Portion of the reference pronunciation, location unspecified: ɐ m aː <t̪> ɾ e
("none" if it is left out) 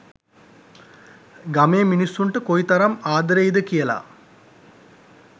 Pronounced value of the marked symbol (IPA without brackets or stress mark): d̪